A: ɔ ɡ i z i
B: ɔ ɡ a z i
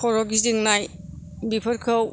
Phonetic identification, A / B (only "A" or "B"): A